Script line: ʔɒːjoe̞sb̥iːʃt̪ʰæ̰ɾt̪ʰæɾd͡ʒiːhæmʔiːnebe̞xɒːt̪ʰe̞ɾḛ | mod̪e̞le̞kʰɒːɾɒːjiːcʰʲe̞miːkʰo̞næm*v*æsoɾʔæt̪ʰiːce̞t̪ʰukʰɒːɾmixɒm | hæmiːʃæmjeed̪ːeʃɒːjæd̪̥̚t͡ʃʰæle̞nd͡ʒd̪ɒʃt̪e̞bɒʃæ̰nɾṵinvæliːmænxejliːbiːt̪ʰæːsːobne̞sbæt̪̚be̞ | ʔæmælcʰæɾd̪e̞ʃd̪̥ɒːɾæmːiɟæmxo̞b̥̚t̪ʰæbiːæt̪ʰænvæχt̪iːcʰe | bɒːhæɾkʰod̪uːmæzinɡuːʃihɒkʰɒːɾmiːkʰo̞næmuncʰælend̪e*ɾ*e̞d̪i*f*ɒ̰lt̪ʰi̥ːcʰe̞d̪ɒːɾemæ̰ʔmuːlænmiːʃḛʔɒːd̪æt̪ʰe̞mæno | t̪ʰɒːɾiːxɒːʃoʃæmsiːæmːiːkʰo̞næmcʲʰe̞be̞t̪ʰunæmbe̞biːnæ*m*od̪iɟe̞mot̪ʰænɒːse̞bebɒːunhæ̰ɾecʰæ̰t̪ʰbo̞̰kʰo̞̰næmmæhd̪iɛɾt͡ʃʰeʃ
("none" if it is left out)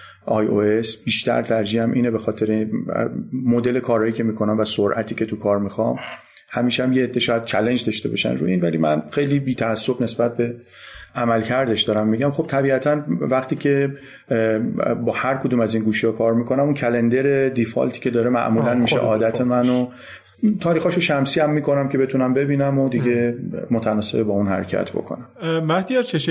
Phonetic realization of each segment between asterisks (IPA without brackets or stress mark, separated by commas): v, ɾ, f, m